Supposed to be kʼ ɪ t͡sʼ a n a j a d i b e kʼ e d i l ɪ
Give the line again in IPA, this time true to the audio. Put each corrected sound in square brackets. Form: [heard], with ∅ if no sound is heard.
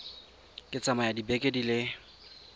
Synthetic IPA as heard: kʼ ɪ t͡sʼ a [m] a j a d i b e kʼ e d i l ɪ